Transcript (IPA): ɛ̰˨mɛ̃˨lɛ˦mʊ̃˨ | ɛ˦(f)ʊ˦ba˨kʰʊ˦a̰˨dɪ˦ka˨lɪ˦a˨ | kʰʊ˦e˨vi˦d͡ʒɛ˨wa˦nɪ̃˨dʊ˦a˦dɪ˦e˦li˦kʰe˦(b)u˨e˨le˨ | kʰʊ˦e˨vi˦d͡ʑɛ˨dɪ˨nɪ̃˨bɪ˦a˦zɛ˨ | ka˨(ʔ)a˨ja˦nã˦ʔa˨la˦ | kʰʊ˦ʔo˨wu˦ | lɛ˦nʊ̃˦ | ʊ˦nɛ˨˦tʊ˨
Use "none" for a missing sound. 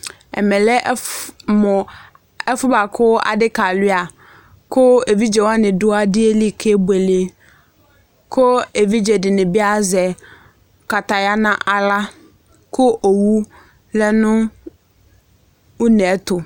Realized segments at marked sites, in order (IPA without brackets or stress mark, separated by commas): f, b, t